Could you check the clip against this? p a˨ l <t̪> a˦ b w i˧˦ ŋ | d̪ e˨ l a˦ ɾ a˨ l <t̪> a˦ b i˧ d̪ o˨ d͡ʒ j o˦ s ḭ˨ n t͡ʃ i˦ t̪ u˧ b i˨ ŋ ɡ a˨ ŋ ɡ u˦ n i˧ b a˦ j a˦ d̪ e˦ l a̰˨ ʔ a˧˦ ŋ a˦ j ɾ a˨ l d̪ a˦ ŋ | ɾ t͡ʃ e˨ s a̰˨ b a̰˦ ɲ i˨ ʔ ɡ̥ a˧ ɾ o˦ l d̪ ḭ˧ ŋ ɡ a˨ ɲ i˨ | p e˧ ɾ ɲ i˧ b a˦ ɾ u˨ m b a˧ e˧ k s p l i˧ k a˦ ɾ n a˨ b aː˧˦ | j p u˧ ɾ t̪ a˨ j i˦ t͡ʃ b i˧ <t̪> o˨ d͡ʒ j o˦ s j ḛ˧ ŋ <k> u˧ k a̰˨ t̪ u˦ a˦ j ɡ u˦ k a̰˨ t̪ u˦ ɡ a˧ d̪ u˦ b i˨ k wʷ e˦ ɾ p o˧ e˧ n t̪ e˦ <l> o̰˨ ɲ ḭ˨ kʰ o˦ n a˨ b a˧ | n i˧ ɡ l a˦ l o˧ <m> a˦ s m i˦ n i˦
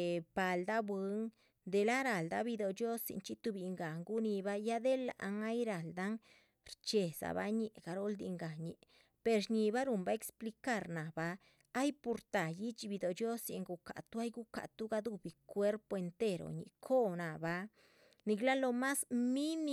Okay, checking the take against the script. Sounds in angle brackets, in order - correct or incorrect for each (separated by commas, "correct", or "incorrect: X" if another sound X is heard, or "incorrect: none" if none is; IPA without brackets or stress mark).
incorrect: d̪, incorrect: d̪, incorrect: d̪, incorrect: ɡ, incorrect: ɾ, correct